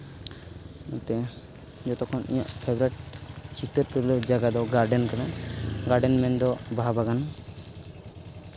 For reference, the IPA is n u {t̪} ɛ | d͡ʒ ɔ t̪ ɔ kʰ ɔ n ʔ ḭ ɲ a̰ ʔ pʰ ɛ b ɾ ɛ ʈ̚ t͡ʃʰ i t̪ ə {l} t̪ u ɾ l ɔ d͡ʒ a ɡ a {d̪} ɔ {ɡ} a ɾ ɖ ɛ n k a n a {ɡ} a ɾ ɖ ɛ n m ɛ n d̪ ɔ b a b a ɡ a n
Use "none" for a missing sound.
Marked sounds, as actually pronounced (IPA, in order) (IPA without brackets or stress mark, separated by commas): t̪, ɾ, d̪, ɡ, ɡ